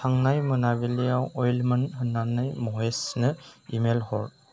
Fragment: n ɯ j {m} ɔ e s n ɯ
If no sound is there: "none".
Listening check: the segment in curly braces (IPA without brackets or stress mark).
m